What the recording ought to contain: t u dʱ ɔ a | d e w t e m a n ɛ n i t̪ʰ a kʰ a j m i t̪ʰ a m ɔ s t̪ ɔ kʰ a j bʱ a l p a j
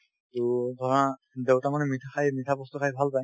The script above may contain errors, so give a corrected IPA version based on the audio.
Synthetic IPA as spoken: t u dʱ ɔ a | d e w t a m a n ɛ m i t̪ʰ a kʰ a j m i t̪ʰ a b ɔ s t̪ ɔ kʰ a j bʱ a l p a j

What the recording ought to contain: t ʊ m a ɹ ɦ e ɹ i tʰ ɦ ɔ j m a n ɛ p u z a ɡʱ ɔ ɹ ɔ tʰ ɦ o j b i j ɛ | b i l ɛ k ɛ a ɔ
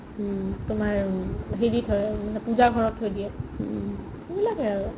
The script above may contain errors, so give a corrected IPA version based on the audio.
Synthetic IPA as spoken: t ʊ m a ɹ ɦ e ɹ i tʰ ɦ ɔ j m a n ɛ p u z a ɡʱ ɔ ɹ ɔ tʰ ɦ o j d i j ɛ | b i l a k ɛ a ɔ

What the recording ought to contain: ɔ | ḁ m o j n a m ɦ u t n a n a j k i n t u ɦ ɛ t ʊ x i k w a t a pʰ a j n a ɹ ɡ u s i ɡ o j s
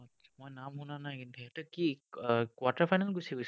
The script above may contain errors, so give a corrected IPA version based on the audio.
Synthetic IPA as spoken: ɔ | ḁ m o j n a m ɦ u n a n a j k i n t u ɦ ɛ t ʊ k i k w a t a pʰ a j n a l ɡ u s i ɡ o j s

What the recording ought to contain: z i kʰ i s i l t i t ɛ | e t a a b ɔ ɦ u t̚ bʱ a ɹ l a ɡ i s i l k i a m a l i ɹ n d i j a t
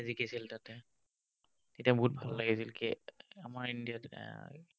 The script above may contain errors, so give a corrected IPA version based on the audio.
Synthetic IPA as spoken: z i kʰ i s i l t a t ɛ | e t i a b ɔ ɦ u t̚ bʱ a l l a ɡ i s i l k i a m a ɹ i n d i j a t

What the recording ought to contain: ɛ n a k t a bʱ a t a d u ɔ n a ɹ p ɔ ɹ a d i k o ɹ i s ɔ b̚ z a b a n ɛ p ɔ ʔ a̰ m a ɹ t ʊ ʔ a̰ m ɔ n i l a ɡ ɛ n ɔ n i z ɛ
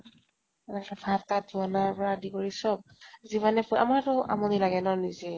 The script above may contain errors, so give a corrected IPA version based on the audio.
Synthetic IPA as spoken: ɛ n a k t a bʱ a t a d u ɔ n a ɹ p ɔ ɹ a d i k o ɹ i s ɔ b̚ z i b a n ɛ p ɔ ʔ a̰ m a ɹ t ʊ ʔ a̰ m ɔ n i l a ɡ ɛ n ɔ n i z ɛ

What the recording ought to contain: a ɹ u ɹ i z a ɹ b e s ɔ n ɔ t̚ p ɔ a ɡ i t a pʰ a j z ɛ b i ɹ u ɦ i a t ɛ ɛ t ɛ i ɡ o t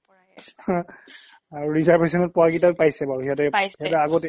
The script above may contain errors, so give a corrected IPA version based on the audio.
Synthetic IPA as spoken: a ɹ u ɹ i z a ɹ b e s ɔ n ɔ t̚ p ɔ a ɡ i t a p a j s ɛ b a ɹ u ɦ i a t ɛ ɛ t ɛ a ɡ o t

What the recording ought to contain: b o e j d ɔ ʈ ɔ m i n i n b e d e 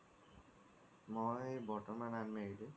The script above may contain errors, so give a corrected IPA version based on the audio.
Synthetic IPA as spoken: m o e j b ɔ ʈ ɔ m a n a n m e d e

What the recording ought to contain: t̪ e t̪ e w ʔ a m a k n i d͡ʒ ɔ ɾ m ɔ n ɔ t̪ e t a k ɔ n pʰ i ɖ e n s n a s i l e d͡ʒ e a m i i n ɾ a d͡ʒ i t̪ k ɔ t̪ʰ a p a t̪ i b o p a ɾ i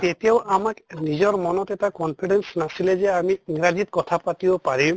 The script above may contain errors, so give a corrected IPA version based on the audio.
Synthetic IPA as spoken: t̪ e t̪ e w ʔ a m a k n i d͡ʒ ɔ ɾ m ɔ n ɔ t̪ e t a k ɔ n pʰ i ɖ e n s n a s i l e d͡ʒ e a m i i ŋ ɾ a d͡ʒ i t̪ k ɔ t̪ʰ a p a t̪ i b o p a ɾ i

